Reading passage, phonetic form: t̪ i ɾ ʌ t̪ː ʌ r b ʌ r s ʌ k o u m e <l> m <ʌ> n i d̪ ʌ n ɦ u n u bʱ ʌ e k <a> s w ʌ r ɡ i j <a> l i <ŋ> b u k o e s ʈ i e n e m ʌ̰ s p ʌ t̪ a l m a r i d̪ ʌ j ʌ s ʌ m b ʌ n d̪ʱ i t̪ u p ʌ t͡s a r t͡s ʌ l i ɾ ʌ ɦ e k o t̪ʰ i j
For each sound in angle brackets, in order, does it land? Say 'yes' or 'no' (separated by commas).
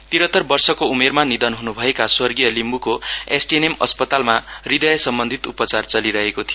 no, no, yes, no, no